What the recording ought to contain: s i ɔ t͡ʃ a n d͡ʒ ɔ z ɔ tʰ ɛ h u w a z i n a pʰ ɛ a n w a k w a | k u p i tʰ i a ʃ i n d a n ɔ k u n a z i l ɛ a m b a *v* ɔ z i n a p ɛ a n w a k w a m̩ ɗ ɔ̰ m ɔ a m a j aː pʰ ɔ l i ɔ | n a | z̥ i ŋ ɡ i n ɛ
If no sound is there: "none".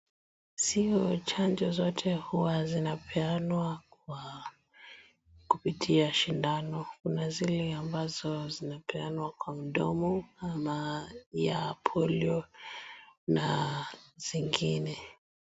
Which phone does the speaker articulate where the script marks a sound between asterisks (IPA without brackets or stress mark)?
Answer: z